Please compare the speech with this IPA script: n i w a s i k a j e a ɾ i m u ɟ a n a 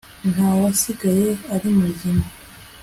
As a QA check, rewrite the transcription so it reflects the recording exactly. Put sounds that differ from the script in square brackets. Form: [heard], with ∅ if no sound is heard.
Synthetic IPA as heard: n [a] w a s i [ɡ] a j e a ɾ i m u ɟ [i] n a